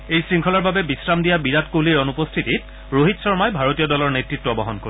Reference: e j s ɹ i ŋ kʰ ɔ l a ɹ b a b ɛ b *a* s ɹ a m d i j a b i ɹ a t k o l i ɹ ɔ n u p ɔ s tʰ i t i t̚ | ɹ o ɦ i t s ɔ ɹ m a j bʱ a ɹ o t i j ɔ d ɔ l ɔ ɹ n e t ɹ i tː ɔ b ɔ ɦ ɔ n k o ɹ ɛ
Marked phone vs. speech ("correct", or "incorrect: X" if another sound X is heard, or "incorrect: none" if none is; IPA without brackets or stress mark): incorrect: i